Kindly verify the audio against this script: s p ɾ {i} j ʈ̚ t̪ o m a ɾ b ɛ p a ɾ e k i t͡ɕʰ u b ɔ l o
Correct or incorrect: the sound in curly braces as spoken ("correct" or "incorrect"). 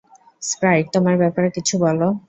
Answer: incorrect